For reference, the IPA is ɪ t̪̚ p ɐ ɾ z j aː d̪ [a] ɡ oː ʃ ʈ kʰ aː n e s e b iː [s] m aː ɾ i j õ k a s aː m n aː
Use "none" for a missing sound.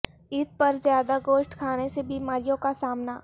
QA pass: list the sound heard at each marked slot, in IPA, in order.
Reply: a, none

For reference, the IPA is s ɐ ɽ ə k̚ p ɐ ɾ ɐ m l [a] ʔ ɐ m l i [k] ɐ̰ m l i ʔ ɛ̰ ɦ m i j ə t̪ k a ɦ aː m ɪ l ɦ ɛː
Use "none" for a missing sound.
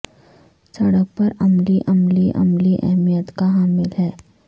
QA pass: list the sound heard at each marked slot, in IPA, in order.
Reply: i, ʔ

